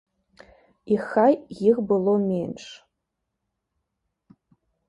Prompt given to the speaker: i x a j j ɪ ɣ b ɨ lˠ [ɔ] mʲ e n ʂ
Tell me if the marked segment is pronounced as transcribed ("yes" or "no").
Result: no